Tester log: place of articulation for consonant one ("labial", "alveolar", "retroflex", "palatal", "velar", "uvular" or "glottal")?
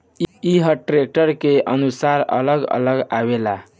glottal